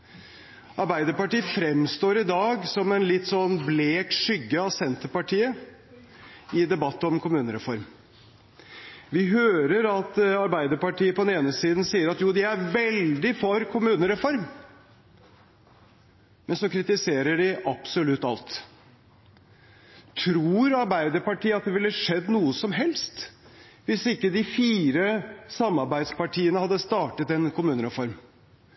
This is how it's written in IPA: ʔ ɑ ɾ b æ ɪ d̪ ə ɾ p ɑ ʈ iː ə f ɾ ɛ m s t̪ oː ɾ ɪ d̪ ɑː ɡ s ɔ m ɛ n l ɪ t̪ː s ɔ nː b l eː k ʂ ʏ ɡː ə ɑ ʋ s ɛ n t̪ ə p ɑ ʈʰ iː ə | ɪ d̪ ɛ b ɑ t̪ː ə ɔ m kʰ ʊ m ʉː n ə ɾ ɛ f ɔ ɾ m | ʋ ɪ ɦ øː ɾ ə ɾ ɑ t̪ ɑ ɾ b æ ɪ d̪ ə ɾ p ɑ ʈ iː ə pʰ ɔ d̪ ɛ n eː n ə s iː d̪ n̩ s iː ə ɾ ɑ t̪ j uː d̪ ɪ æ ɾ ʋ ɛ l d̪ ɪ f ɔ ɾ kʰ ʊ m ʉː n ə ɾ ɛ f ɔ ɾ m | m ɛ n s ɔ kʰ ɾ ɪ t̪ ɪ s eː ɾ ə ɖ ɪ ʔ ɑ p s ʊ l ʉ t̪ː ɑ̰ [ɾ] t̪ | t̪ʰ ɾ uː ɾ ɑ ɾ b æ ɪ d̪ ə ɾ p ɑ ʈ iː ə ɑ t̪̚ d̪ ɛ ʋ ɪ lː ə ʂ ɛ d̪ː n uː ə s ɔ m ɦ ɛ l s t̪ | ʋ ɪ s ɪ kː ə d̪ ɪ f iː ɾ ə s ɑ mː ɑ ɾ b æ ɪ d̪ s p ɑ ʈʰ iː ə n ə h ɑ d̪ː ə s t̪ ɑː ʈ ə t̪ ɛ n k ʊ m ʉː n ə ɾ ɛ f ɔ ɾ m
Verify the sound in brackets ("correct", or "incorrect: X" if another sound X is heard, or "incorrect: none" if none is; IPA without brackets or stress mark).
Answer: incorrect: l